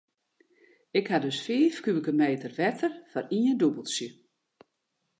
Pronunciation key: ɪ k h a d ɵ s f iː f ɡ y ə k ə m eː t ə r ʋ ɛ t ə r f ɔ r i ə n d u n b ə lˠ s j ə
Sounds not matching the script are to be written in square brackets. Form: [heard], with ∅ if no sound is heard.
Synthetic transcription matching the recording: ɪ k h a d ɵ s f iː f [k] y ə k ə m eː t ə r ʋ ɛ t ə r f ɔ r i ə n d u [∅] b ə lˠ s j ə

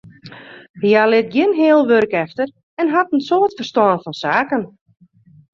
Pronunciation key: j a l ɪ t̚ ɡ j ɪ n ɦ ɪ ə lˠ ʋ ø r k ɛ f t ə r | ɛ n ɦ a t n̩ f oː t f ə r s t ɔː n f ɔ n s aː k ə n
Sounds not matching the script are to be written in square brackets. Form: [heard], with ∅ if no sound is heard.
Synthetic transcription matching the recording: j a l ɪ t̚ ɡ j ɪ n ɦ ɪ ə lˠ ʋ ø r k ɛ f t ə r | ɛ n ɦ a t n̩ [s] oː t f ə r s t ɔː n f ɔ n s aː k ə n

